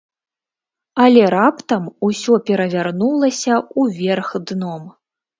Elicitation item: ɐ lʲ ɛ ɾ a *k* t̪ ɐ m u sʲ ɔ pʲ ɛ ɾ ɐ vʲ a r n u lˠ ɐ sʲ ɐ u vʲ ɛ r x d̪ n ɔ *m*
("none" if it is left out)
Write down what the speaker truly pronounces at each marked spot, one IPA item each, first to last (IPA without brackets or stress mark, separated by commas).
p, m